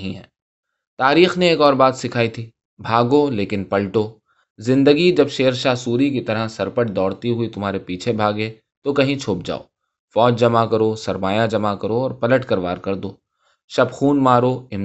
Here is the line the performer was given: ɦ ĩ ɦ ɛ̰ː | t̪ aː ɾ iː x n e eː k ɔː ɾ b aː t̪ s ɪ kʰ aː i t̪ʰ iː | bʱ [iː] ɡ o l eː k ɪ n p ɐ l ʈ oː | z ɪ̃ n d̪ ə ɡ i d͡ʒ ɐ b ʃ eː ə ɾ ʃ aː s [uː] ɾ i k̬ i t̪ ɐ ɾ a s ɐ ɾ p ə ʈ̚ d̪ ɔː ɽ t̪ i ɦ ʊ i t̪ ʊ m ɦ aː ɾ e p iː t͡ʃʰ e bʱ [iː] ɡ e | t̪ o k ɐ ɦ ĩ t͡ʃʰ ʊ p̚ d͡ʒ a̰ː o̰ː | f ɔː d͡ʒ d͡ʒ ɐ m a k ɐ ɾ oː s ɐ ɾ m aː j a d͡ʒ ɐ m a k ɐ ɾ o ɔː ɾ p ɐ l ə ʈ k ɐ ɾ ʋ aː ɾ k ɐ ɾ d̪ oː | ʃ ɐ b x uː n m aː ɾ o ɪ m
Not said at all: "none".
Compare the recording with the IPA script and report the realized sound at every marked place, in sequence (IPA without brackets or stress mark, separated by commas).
aː, uː, aː